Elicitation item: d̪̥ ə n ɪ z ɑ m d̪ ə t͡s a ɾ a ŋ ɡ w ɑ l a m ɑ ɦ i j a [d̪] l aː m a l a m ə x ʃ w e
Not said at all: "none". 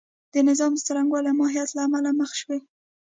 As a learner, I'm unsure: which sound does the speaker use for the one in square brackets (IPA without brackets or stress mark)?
t̪